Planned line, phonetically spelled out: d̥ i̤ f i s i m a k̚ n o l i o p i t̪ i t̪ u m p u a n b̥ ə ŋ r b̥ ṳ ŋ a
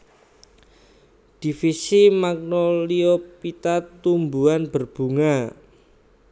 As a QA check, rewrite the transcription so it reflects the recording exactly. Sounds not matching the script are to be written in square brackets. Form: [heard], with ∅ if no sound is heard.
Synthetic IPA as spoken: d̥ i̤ f i s i m a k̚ n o l i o p i t̪ [a] t̪ u m [b] u a n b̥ ə [∅] r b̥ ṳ ŋ a